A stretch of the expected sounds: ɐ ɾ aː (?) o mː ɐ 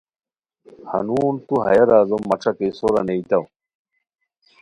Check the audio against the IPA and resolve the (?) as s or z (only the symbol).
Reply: z